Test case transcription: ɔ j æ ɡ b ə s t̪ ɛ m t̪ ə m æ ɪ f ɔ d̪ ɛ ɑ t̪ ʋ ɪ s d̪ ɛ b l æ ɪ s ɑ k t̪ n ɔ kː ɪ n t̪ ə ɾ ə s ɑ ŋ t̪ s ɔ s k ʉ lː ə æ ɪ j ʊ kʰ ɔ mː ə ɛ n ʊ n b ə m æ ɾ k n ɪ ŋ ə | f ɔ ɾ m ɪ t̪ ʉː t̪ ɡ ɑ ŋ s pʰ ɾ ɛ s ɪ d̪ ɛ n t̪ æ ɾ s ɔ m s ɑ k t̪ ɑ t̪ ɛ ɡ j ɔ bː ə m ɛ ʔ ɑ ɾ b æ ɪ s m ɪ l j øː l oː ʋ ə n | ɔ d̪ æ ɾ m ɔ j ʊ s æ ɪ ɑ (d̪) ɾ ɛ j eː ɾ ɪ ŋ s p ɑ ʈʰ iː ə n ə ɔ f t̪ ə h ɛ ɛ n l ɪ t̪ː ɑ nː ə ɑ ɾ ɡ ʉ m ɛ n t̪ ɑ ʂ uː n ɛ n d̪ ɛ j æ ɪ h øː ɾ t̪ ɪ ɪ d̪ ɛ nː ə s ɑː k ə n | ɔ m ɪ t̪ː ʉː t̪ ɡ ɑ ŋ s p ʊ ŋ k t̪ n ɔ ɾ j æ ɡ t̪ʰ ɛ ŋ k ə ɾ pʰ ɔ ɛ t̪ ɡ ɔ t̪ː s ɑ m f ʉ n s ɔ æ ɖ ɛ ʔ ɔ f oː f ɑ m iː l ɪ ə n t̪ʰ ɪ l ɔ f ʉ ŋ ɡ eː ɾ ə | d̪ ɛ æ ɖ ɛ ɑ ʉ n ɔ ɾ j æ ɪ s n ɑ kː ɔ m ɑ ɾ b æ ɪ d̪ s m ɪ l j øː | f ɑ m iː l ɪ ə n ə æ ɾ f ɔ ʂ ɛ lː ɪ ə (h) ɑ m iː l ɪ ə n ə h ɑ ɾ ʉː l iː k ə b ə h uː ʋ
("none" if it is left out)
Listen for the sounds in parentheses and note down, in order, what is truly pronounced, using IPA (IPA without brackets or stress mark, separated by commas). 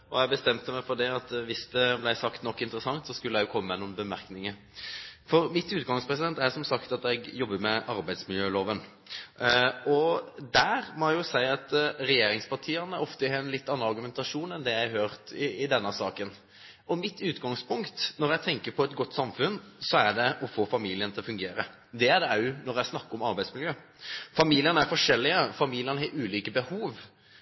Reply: t̪, f